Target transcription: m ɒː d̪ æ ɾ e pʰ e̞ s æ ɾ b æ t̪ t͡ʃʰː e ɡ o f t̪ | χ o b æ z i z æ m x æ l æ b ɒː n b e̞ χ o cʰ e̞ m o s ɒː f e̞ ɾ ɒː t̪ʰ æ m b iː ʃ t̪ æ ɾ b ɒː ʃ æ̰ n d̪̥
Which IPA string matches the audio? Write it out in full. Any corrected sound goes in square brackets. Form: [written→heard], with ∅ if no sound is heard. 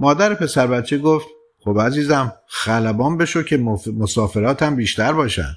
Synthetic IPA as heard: m ɒː d̪ æ ɾ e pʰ e̞ s æ ɾ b æ t̪ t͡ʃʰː e ɡ o f t̪ | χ o b æ z [i→iː] z æ m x æ l æ b ɒː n b e̞ [χ→ʃ] o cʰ e̞ m o s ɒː f e̞ ɾ ɒː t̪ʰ æ m b iː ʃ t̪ æ ɾ b ɒː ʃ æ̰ n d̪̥